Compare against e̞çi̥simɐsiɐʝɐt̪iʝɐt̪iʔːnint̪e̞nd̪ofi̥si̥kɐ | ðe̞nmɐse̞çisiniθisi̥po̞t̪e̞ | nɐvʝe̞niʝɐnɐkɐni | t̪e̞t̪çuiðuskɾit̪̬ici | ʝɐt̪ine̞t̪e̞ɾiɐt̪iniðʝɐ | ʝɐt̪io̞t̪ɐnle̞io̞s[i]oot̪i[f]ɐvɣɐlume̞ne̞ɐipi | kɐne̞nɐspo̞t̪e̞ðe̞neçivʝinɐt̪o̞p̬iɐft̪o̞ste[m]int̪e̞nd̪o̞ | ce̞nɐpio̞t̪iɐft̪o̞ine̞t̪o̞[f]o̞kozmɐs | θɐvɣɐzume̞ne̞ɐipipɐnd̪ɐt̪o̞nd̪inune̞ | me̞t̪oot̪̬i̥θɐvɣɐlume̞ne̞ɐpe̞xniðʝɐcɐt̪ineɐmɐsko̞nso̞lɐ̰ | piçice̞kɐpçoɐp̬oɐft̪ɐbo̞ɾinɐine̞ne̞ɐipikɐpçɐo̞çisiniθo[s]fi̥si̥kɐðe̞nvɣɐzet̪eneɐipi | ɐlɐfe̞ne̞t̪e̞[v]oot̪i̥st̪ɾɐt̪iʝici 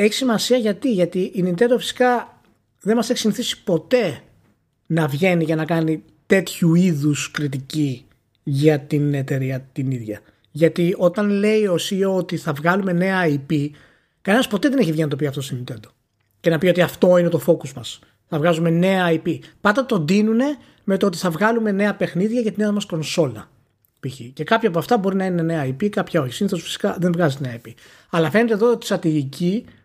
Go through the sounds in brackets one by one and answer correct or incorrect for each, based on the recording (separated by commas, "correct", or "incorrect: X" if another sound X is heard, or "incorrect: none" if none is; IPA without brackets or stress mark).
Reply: correct, incorrect: θ, correct, correct, correct, incorrect: ð